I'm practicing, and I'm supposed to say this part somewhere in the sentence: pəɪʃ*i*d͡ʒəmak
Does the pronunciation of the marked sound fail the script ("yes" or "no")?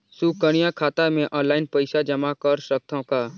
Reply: yes